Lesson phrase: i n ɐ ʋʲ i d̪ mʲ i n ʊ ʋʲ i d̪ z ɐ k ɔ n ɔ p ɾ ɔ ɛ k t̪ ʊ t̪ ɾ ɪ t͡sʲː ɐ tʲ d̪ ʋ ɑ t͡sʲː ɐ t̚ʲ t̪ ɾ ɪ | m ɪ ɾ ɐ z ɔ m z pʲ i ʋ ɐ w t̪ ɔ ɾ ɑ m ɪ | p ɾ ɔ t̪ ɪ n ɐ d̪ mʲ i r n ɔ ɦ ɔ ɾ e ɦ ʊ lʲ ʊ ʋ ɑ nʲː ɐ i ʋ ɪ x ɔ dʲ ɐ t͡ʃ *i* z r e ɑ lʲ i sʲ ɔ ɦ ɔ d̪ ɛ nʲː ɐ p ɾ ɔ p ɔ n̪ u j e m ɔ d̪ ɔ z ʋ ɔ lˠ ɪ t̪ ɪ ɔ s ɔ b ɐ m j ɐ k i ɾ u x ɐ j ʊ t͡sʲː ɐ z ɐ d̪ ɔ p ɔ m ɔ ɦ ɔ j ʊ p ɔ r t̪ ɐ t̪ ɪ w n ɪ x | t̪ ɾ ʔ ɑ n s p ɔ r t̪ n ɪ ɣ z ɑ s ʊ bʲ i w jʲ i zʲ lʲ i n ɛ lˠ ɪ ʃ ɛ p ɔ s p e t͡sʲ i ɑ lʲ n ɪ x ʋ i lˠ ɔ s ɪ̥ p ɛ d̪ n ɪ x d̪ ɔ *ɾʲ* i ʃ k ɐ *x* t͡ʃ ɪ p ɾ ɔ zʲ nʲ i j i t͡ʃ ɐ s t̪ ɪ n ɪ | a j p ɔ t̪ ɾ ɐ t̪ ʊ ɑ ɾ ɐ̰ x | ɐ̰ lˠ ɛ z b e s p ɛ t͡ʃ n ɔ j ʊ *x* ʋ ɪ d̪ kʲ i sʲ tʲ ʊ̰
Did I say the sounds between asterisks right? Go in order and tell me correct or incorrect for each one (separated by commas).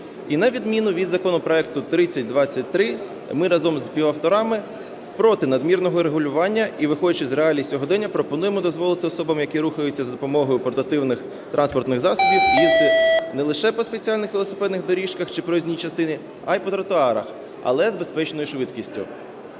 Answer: incorrect, correct, correct, incorrect